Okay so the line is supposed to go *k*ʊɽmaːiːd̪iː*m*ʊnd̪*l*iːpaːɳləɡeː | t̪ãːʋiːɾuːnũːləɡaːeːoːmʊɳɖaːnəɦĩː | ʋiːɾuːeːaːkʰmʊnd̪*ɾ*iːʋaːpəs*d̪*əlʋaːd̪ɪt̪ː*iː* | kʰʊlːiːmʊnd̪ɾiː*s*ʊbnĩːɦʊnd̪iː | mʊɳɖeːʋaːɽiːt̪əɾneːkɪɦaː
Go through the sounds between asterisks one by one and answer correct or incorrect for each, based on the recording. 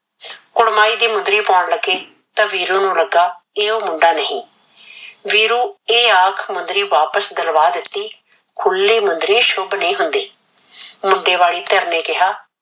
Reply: correct, correct, incorrect, correct, correct, correct, incorrect

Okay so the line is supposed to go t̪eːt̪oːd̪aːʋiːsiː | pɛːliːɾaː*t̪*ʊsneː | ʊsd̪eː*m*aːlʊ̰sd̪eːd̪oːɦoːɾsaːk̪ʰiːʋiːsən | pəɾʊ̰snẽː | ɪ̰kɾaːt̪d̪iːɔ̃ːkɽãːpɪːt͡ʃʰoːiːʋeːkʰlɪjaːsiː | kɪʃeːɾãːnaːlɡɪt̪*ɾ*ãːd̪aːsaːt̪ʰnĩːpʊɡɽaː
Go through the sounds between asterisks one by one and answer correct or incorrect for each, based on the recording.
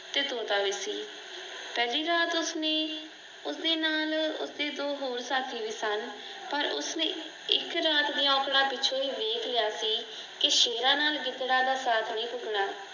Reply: correct, incorrect, incorrect

